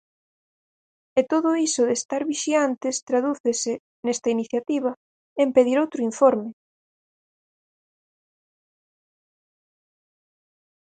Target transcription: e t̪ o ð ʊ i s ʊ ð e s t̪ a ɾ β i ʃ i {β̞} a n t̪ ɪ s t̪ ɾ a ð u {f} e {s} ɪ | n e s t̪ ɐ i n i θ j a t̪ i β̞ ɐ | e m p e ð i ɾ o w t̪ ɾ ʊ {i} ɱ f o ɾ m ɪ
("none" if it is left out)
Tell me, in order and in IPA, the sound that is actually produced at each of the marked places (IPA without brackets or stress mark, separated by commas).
none, θ, s, i